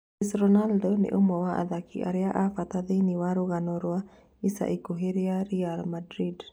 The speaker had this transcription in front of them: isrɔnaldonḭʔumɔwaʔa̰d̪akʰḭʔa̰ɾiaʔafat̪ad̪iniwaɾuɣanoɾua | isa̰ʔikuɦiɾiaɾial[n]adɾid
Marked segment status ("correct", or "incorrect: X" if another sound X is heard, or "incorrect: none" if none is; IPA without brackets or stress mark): incorrect: m